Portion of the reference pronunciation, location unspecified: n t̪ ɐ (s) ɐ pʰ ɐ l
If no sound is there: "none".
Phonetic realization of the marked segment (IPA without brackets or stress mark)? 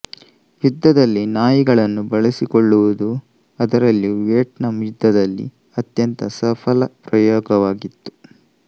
s